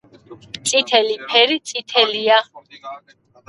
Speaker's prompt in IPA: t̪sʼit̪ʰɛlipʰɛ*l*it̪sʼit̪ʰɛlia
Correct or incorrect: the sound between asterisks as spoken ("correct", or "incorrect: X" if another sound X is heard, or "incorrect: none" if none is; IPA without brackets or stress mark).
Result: incorrect: ɾ